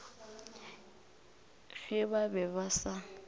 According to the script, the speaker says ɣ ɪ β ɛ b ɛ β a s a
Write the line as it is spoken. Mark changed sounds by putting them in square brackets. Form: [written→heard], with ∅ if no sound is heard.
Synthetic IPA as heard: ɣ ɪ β [ɛ→a] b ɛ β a s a